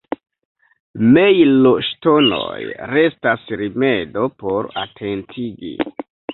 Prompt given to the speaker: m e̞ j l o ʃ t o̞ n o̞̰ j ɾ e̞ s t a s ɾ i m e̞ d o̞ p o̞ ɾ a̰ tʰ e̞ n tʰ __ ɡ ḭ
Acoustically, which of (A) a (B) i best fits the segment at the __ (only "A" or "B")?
B